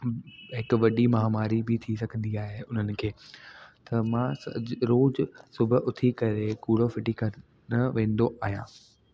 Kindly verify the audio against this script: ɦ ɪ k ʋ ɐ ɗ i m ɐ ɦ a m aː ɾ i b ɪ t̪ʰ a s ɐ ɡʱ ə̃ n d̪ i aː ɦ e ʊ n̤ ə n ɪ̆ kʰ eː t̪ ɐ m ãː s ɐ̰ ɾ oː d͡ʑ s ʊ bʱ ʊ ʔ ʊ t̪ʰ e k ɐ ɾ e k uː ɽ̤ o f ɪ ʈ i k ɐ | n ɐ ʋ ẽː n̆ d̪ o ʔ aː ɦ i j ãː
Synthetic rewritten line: ɦ ɪ k ʋ ɐ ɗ i m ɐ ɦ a m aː ɾ i b ɪ t̪ʰ i s ɐ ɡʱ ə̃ n d̪ i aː ɦ e ʊ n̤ ə n ɪ̆ kʰ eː t̪ ɐ m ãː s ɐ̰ ɾ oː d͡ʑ s ʊ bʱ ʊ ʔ ʊ t̪ʰ i k ɐ ɾ e k uː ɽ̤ o f ɪ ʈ i k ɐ | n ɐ ʋ ẽː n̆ d̪ o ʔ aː ɦ i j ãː